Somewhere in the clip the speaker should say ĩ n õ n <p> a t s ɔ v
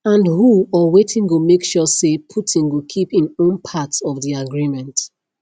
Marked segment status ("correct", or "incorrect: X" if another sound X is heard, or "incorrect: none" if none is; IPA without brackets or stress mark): incorrect: pʰ